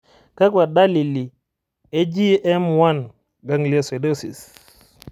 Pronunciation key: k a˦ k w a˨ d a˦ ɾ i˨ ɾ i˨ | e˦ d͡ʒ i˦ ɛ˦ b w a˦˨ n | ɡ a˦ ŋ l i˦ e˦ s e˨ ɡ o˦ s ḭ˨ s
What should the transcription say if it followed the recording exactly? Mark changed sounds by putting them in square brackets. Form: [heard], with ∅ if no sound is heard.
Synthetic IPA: k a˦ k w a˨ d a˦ [l] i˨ [l] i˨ | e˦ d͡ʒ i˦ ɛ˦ [m] w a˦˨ n | ɡ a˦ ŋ l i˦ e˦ s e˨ [d] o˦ s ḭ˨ s